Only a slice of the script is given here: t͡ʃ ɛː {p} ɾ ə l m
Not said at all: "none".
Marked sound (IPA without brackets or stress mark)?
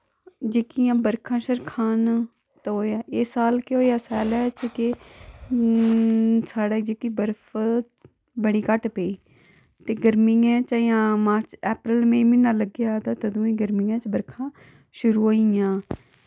p